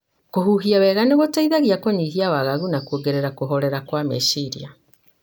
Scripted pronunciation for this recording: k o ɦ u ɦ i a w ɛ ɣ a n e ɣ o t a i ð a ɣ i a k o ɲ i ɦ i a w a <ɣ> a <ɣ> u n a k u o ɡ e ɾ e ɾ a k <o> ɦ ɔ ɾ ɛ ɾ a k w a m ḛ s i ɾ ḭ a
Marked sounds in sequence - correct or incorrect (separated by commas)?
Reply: correct, correct, correct